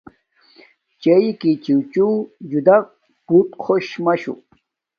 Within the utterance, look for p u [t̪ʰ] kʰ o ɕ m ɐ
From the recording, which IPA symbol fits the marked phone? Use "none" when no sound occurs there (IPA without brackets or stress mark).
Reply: t̪